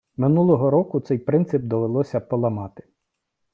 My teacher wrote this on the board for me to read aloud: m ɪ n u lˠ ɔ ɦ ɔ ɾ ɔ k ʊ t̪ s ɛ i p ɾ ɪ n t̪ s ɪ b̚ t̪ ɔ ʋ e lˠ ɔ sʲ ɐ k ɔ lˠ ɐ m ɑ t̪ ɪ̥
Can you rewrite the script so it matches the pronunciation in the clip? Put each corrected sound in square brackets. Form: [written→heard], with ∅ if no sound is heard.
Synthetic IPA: m ɪ n u lˠ ɔ ɦ ɔ ɾ ɔ k ʊ t̪ s ɛ [i→j] p ɾ ɪ n t̪ s ɪ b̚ [t̪→d̪] ɔ ʋ e lˠ ɔ sʲ ɐ [k→p] ɔ lˠ ɐ m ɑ t̪ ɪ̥